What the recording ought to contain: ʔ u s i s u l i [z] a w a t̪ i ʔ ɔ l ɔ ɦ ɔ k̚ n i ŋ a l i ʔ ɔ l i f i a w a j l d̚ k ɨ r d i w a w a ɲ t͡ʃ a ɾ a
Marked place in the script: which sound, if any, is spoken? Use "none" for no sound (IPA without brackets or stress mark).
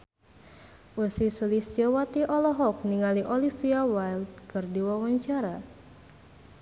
s